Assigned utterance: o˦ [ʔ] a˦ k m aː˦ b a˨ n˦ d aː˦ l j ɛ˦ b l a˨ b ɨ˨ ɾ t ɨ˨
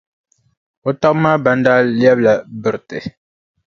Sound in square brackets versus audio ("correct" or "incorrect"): incorrect